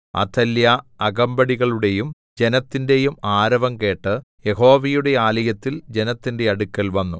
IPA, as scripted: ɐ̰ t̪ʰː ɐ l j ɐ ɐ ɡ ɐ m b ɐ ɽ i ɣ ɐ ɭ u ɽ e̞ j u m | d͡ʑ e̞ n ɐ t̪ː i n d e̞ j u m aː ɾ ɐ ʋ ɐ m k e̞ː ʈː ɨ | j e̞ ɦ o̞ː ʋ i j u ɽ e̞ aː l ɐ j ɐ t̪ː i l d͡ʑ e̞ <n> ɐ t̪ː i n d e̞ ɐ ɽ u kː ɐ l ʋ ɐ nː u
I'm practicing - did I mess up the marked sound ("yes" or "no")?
no